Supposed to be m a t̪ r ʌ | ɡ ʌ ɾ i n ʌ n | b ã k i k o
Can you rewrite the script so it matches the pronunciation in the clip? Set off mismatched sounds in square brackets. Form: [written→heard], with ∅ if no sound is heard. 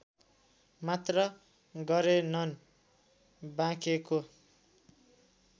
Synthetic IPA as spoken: m a t̪ r ʌ | ɡ ʌ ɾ [i→e] n ʌ n | b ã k [i→e] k o